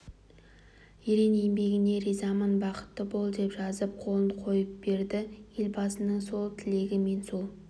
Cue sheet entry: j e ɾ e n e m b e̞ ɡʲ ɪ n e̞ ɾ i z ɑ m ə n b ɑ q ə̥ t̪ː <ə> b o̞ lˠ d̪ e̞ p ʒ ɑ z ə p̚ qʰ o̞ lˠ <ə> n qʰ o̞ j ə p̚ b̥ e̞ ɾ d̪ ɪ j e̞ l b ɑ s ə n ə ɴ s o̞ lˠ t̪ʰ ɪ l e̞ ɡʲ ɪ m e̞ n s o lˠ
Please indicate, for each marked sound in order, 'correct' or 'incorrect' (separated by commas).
correct, correct